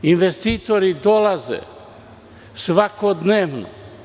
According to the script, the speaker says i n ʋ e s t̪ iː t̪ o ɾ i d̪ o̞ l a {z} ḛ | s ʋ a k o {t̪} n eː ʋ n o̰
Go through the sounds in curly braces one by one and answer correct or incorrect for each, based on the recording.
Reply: correct, incorrect: d̪

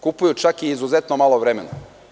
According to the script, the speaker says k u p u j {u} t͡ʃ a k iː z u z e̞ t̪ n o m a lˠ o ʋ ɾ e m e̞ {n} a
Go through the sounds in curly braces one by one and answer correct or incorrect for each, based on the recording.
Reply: correct, correct

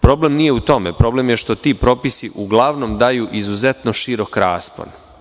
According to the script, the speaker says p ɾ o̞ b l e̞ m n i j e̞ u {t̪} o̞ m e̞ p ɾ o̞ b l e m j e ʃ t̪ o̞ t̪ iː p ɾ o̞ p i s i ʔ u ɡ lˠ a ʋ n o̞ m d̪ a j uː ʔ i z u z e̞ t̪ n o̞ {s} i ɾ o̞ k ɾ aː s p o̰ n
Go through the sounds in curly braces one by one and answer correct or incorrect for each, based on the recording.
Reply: correct, incorrect: ʃ

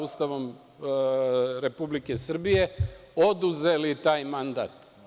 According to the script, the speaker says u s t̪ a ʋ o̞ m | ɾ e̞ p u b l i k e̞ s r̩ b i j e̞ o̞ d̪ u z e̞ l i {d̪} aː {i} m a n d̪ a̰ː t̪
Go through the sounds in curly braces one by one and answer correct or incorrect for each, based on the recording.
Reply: incorrect: t̪, incorrect: j

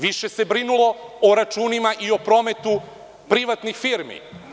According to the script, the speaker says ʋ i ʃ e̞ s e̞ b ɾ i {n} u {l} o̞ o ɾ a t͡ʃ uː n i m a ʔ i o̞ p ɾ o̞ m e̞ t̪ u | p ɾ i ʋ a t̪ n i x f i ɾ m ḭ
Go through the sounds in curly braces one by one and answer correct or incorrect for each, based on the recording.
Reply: correct, correct

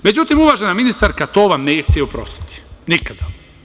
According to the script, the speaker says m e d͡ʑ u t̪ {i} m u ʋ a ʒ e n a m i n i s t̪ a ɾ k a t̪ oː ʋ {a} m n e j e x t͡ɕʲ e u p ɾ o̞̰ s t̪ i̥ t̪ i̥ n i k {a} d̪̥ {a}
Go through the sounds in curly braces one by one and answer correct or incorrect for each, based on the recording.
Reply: correct, correct, correct, correct

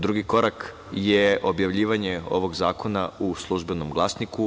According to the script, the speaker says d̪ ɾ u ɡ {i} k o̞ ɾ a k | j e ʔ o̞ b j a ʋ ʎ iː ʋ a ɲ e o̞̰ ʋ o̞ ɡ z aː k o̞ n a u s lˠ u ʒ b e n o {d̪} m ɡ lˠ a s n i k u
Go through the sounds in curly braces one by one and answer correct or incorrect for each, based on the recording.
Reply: correct, incorrect: none

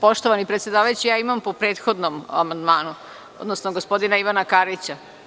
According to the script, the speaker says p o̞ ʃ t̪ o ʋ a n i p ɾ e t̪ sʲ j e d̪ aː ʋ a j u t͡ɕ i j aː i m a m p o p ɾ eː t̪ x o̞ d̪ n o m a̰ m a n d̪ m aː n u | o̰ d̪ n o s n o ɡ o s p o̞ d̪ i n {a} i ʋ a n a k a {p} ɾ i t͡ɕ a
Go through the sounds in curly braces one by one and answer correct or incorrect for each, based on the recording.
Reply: correct, incorrect: none

